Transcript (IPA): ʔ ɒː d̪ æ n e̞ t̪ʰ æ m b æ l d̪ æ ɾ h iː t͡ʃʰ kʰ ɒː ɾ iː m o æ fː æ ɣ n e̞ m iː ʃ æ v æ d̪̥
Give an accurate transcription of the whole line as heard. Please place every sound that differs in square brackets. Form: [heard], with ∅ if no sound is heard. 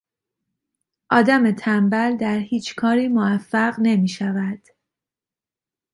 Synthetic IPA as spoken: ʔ ɒː d̪ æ [m] e̞ t̪ʰ æ m b æ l d̪ æ ɾ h iː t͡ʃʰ kʰ ɒː ɾ iː m o æ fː æ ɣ n e̞ m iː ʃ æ v æ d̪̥